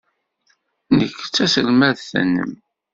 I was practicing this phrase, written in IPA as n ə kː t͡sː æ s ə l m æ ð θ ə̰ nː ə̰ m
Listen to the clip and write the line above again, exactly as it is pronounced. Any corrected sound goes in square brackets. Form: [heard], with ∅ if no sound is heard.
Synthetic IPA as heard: n ə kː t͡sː æ s ə l m æ ð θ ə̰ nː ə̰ m